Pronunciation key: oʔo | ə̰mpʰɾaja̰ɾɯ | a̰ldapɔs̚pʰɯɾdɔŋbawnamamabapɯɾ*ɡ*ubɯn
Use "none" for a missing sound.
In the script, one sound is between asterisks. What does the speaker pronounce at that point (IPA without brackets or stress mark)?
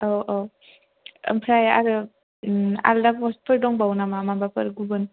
ɡ